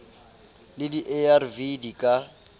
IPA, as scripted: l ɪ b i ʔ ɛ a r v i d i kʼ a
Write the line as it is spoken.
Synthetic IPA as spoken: l ɪ d i ʔ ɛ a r v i d i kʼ a